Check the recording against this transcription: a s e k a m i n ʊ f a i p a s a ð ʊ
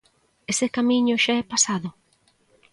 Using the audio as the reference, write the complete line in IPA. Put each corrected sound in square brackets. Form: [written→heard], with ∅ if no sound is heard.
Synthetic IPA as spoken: [a→e] s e k a m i [n→ɲ] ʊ [f→ʃ] a [i→ɛ] p a s a ð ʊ

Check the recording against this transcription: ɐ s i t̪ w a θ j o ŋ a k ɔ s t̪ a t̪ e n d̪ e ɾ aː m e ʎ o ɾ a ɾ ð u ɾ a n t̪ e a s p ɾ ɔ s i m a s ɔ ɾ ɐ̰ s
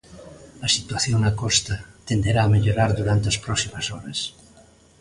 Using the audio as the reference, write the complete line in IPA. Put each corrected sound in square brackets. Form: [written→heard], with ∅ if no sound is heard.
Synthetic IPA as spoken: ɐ s i t̪ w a θ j o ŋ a k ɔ s t̪ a t̪ e n d̪ e ɾ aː m e ʎ o ɾ a ɾ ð u ɾ a n t̪ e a s p ɾ ɔ s i m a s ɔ ɾ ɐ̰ s

